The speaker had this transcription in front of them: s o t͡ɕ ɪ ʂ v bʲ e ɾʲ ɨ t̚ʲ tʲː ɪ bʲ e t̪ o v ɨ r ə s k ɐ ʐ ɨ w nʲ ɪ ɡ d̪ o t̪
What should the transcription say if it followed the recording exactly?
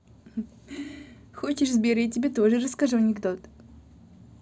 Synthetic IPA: x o t͡ɕ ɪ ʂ z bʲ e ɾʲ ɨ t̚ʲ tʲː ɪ bʲ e t̪ o ʐ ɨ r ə s k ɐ ʐ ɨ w nʲ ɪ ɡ d̪ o t̪